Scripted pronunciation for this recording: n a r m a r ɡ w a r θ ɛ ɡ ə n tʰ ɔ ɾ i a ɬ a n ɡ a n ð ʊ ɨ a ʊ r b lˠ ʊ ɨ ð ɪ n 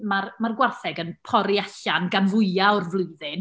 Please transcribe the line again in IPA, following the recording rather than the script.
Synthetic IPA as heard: m a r m a r ɡ w a r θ ɛ ɡ ə n pʰ ɔ ɾ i a ɬ a n ɡ a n v ʊ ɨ a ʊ r v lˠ ʊ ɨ ð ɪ n